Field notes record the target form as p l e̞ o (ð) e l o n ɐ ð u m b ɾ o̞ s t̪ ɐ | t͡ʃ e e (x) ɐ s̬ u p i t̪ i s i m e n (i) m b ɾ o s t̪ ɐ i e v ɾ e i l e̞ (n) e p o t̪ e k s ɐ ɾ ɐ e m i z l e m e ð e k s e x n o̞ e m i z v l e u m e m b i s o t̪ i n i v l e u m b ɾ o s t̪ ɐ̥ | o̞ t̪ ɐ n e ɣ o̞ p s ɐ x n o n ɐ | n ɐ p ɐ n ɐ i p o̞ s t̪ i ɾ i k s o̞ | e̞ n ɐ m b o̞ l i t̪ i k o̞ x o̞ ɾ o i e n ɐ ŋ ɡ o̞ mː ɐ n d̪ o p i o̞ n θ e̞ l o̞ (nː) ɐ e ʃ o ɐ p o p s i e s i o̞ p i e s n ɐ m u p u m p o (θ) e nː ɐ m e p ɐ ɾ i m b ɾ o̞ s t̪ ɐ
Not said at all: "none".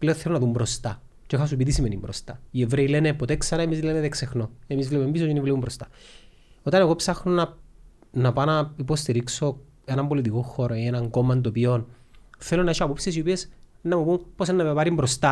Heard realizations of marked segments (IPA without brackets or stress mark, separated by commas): θ, x, i, n, n, s